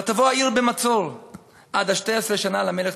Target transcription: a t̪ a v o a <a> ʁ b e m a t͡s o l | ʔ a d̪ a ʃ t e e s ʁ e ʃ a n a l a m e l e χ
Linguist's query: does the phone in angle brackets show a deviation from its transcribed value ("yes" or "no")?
yes